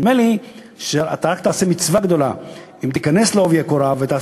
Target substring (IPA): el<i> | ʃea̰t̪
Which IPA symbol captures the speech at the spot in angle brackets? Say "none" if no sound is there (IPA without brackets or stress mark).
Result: i